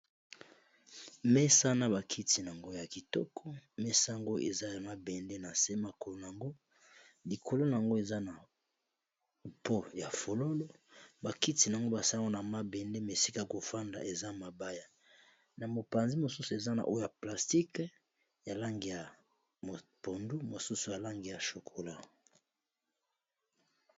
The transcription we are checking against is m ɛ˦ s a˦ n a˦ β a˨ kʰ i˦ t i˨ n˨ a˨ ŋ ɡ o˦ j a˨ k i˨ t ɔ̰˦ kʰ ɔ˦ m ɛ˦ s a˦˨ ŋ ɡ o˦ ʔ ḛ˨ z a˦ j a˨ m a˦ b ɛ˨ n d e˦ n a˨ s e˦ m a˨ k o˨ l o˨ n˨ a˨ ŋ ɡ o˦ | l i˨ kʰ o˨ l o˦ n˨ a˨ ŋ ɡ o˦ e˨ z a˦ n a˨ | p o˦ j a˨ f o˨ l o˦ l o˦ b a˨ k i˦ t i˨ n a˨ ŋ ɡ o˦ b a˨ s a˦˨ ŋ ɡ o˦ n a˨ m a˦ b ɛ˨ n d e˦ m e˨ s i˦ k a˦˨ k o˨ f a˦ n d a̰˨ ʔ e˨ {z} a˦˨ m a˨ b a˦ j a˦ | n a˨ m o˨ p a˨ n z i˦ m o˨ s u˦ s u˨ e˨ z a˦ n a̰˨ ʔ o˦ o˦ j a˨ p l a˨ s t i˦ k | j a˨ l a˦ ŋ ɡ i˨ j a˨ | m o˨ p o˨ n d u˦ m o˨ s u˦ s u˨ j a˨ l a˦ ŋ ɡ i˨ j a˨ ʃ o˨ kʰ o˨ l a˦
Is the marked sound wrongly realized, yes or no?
no